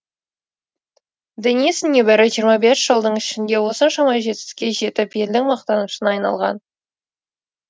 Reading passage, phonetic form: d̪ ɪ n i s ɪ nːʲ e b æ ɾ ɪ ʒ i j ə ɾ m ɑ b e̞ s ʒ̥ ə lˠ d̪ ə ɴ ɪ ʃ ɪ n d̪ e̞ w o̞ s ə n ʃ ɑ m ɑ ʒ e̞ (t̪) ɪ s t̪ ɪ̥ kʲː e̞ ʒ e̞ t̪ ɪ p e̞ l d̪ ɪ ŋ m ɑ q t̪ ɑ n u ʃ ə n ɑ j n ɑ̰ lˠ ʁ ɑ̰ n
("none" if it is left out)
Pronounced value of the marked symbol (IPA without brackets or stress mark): t̪